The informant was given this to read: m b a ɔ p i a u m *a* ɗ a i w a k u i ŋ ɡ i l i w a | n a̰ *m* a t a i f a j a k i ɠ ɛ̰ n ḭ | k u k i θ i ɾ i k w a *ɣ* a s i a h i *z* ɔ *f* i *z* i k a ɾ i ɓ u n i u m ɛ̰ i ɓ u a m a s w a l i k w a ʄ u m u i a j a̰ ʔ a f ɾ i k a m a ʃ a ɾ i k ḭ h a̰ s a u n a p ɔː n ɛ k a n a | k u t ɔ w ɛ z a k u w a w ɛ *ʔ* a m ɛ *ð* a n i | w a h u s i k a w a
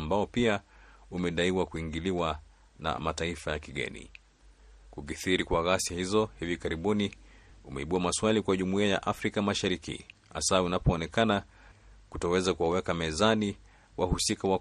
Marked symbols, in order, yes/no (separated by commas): no, yes, yes, yes, no, no, no, no